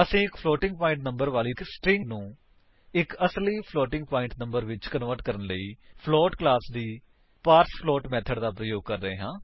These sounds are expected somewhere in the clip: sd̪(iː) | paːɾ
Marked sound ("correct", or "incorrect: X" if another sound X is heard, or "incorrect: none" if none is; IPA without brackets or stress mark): correct